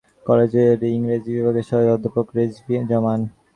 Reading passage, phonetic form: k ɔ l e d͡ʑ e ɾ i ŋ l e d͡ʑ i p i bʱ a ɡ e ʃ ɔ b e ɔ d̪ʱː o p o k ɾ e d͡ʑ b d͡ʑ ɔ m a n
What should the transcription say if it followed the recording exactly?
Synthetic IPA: k ɔ l e d͡ʑ e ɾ i ŋ ɾ e d͡ʑ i b i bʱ a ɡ e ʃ ɔ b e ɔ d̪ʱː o p o k ɾ e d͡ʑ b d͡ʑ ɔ m a n